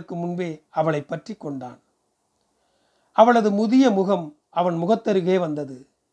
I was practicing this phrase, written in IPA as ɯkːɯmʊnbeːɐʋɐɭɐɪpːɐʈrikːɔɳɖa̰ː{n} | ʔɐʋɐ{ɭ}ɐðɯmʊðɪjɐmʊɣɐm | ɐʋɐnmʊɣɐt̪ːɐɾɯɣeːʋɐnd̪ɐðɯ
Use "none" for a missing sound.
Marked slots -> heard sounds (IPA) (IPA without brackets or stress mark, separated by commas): n, ɭ